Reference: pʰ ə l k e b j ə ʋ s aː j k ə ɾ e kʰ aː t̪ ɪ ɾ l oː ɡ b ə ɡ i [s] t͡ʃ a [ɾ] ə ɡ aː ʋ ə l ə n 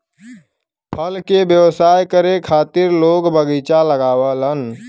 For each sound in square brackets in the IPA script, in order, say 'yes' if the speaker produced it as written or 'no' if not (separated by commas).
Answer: no, no